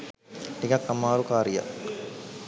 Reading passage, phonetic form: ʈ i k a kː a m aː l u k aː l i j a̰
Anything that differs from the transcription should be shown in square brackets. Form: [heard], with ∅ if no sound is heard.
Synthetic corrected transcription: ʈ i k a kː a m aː [ɾ] u k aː [ɾ] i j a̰